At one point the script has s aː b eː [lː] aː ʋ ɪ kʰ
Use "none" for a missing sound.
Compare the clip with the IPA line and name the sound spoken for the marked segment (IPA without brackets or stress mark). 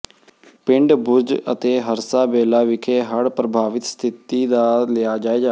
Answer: l